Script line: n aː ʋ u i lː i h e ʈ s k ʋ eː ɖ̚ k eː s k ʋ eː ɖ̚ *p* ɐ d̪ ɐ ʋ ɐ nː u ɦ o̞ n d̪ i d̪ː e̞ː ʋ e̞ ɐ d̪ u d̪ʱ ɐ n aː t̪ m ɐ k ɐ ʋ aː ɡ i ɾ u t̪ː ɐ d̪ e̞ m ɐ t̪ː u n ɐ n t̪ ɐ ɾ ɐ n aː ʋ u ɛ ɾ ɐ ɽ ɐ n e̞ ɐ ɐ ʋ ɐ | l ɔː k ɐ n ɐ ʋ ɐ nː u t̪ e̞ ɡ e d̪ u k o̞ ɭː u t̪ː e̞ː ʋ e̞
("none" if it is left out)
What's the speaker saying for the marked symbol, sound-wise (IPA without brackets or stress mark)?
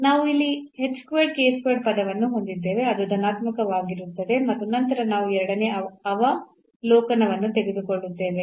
p